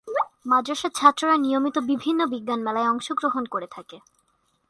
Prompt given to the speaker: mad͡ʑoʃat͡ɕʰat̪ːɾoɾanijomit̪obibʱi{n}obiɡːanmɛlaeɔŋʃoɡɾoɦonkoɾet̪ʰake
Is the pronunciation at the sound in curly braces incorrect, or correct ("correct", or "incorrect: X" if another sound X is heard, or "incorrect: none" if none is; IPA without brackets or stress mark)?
incorrect: nː